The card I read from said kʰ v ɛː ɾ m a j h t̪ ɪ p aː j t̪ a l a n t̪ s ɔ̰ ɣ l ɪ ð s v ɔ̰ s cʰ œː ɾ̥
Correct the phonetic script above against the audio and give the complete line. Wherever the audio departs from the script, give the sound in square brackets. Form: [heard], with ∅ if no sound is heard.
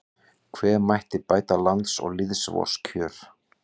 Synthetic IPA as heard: kʰ v ɛː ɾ m a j h t̪ ɪ p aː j t̪ a l a n t̪ s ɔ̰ ɣ l ɪ ð s v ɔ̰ s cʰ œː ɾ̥

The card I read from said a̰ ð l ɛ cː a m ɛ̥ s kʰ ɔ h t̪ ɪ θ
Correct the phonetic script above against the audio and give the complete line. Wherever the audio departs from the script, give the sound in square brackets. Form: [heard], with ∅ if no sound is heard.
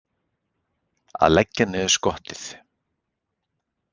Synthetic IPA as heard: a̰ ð l ɛ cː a [n] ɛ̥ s [k] ɔ h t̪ ɪ θ

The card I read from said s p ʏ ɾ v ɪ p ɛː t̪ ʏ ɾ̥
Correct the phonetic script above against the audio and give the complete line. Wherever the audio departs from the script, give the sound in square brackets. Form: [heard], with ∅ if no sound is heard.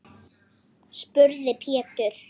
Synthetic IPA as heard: s p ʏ ɾ [ð] ɪ [pʰ] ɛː t̪ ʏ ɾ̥

